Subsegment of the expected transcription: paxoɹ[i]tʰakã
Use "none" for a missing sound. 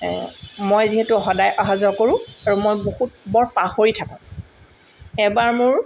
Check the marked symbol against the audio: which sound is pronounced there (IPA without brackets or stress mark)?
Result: i